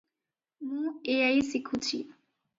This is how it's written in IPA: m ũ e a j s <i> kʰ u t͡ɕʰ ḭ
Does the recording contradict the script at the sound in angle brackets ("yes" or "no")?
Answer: no